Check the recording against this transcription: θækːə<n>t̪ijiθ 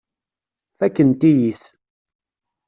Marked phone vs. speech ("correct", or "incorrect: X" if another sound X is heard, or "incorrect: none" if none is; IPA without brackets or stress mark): correct